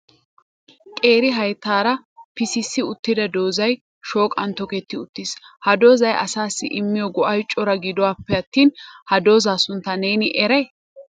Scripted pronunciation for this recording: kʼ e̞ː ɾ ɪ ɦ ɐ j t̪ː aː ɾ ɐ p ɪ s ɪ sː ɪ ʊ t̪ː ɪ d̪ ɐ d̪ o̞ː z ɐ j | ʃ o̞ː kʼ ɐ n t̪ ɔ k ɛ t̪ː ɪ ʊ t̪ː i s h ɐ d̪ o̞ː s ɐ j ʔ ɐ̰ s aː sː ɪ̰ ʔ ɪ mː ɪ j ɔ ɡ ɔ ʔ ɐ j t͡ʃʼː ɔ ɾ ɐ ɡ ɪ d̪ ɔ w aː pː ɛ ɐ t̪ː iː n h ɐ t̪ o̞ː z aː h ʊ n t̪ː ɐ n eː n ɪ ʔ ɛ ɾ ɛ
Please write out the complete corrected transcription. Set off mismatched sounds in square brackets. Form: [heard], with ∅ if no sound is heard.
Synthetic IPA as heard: kʼ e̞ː ɾ ɪ ɦ ɐ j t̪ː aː ɾ ɐ p ɪ s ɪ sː ɪ ʊ t̪ː ɪ d̪ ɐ d̪ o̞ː z ɐ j | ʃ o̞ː kʼ ɐ n t̪ ɔ k ɛ t̪ː ɪ ʊ t̪ː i s h ɐ d̪ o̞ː [z] ɐ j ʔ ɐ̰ s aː sː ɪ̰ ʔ ɪ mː ɪ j ɔ ɡ ɔ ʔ ɐ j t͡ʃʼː ɔ ɾ ɐ ɡ ɪ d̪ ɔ w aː pː ɛ ɐ t̪ː iː n h ɐ [d̪] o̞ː z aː [s] ʊ n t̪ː ɐ n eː n ɪ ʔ ɛ ɾ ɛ